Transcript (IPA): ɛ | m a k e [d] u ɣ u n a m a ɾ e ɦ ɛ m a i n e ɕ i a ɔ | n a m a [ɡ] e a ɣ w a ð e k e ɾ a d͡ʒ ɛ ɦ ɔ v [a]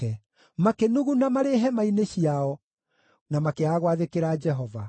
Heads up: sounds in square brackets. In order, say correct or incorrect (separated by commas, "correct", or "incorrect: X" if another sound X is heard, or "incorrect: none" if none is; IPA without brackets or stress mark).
incorrect: n, incorrect: k, correct